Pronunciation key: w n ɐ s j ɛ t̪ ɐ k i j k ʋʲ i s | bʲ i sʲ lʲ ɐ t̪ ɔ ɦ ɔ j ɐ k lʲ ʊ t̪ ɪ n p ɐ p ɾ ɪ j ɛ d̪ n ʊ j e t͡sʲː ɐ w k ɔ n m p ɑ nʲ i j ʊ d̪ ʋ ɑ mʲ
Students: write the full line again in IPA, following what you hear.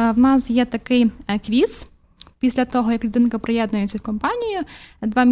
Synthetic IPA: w n ɑ s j ɛ t̪ ɐ k ɪ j k ʋʲ i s | pʲ i sʲ lʲ ɐ t̪ ɔ ɦ ɔ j ɐ k lʲ ʊ d̪ ɪ n k ɐ p ɾ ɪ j ɛ d̪ n ʊ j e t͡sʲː ɐ w k ɔ m p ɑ nʲ i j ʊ d̪ ʋ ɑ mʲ